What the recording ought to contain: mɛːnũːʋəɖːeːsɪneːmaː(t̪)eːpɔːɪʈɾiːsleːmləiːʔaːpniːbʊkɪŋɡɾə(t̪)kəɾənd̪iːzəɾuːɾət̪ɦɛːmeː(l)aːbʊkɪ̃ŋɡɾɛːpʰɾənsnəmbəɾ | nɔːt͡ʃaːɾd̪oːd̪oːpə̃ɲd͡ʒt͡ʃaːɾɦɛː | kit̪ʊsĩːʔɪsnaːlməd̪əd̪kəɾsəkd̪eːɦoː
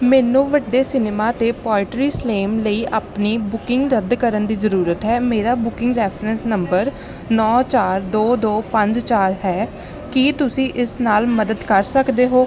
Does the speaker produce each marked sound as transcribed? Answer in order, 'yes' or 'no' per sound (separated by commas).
yes, no, no